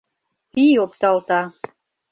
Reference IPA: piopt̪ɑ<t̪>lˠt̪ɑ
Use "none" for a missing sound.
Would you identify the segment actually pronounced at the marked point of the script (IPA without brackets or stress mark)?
none